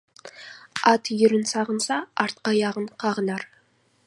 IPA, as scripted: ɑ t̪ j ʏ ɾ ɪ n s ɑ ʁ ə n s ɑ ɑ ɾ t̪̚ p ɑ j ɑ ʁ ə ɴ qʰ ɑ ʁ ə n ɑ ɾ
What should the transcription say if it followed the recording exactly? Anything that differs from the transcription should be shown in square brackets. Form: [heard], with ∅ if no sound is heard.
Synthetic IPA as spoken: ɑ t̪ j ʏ ɾ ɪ n s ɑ ʁ ə n s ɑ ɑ ɾ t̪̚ [q] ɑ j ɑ ʁ ə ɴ qʰ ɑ ʁ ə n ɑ ɾ

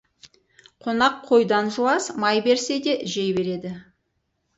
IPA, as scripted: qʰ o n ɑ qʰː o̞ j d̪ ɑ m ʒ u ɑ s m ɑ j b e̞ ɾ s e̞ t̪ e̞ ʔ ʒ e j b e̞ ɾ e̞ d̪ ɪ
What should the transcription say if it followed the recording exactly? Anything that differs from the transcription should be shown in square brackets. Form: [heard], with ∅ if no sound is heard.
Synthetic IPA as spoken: qʰ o n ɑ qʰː o̞ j d̪ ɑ [n] ʒ u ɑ s m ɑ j b e̞ ɾ s e̞ [d̪] e̞ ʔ ʒ e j b e̞ ɾ e̞ d̪ ɪ

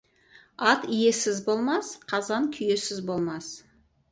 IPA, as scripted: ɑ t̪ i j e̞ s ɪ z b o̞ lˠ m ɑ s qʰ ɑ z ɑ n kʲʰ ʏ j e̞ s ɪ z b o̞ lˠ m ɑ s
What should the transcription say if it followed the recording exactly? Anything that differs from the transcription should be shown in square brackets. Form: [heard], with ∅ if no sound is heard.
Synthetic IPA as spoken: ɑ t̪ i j e̞ s ɪ z b o̞ lˠ m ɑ s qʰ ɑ z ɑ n kʲʰ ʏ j e̞ s ɪ z b o̞ lˠ m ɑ s

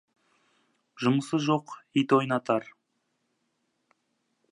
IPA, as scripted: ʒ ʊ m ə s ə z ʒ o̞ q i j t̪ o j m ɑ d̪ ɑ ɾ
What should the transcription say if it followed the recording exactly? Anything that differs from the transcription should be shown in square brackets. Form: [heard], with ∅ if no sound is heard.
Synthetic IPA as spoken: ʒ ʊ m ə s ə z ʒ o̞ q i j t̪ o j [n] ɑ [t̪] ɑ ɾ

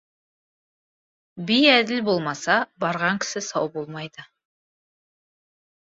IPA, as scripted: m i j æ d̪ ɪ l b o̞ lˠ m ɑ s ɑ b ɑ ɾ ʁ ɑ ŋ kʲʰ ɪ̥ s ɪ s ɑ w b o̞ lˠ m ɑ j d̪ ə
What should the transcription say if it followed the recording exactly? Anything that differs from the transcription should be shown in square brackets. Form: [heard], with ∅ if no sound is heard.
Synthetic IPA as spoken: [b] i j æ d̪ ɪ l b o̞ lˠ m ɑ s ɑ b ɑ ɾ ʁ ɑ ŋ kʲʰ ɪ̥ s ɪ s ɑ w b o̞ lˠ m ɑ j d̪ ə

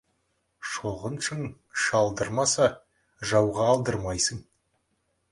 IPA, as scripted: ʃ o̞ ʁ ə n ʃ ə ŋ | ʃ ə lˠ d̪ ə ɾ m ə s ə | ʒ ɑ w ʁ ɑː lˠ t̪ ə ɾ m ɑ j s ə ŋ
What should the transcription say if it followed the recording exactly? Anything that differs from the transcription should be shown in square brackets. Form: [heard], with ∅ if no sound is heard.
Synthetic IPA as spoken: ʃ o̞ ʁ ə n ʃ ə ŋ | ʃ [ɑ] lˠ d̪ ə ɾ m [ɑ] s [ɑ] | ʒ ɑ w ʁ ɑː lˠ [d̪] ə ɾ m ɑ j s ə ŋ

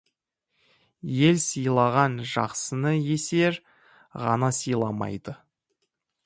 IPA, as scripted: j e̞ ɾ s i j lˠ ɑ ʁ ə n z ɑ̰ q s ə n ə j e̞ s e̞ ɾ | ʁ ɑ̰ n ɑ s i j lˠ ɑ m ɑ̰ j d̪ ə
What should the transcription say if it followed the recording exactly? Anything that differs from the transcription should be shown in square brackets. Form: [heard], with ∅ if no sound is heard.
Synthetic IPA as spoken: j e̞ [l] s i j lˠ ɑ ʁ [ɑ] n [ʒ] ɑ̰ q s ə n ə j e̞ s e̞ ɾ | ʁ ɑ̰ n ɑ s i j lˠ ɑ m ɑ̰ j d̪ ə

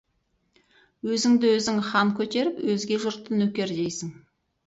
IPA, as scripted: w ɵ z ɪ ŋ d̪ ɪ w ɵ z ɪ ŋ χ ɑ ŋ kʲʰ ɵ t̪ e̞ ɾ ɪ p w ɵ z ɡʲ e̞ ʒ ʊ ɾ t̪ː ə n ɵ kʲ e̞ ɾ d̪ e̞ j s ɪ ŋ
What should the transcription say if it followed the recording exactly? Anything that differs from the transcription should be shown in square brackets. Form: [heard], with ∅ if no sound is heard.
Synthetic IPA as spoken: w ɵ z ɪ ŋ d̪ ɪ w ɵ z ɪ ŋ χ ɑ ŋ kʲʰ ɵ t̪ e̞ ɾ ɪ p w ɵ z ɡʲ e̞ ʒ ʊ ɾ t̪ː ə n ɵ kʲ e̞ ɾ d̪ e̞ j s ɪ ŋ

